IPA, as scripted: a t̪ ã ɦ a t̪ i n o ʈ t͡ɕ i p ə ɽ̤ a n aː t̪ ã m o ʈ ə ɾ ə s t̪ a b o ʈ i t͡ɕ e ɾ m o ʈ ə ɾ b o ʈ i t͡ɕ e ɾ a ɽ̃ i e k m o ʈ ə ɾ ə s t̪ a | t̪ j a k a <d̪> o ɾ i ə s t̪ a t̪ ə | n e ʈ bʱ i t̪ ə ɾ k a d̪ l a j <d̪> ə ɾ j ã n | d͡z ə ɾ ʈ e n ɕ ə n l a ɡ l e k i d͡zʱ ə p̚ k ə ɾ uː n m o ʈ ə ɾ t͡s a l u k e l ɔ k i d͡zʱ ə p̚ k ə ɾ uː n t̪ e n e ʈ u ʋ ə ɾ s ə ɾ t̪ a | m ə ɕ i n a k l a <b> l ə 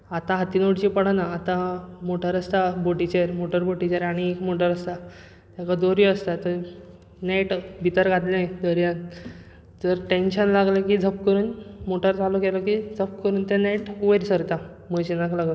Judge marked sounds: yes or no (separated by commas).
yes, yes, no